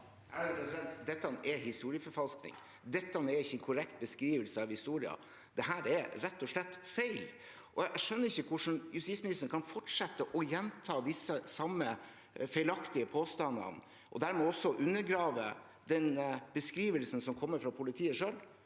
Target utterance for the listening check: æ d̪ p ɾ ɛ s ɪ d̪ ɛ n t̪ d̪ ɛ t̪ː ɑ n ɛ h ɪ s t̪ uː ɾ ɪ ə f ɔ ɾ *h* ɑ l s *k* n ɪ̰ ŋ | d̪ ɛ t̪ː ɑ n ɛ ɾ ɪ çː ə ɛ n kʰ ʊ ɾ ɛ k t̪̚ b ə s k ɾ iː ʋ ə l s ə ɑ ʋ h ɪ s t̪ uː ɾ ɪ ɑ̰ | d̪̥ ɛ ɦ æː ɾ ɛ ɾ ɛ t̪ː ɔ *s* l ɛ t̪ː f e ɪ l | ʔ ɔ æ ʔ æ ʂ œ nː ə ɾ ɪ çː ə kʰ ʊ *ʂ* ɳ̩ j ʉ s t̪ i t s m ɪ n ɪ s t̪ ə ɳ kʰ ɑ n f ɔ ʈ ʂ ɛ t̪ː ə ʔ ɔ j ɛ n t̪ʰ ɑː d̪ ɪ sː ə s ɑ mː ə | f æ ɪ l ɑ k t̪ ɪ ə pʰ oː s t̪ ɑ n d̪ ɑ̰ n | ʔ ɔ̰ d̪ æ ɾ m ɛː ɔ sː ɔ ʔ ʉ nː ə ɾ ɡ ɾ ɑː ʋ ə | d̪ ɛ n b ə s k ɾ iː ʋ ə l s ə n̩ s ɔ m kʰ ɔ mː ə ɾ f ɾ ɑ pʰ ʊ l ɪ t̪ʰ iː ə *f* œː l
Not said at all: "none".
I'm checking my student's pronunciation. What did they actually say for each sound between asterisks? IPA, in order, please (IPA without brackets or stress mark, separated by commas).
f, k, ʂ, ʂ, ʂ